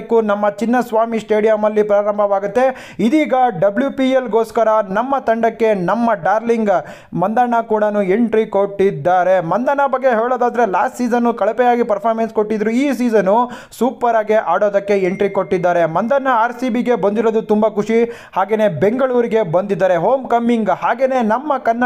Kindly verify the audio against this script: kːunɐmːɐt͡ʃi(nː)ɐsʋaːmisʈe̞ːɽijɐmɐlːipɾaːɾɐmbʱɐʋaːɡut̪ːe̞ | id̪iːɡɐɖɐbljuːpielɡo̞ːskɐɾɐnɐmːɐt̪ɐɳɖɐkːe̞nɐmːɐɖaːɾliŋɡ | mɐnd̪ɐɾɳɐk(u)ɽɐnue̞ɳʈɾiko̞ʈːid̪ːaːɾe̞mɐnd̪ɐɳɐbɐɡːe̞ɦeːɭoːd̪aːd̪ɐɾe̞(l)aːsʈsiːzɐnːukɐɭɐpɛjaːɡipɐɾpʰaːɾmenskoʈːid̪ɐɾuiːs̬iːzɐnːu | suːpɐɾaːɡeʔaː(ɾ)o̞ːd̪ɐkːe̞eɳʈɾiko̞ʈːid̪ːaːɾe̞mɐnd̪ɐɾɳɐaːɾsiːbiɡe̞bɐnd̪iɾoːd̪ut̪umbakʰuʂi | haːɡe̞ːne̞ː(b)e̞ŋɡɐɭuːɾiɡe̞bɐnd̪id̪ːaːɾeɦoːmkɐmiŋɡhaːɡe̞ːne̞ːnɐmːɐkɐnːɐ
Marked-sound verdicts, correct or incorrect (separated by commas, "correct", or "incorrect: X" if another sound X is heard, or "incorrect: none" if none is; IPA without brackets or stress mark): correct, incorrect: uː, correct, incorrect: ɽ, correct